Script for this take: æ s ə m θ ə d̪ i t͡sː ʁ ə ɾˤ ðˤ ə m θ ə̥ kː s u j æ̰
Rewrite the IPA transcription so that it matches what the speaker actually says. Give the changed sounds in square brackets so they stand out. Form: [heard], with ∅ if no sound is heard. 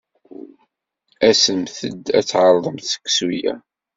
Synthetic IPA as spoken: æ s ə m θ ə d̪ [æ] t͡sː [ʕ] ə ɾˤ ðˤ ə m θ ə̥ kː s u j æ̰